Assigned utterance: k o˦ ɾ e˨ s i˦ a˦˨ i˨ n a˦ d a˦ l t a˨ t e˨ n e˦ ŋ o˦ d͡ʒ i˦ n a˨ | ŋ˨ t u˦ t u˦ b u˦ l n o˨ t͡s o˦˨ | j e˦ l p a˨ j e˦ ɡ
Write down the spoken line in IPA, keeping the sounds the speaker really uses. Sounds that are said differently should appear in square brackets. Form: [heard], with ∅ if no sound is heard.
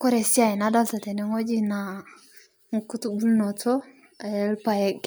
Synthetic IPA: k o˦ ɾ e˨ s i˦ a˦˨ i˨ n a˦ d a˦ l t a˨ t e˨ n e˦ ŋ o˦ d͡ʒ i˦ n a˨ | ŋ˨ [k] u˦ t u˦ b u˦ l n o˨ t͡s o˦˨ | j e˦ l p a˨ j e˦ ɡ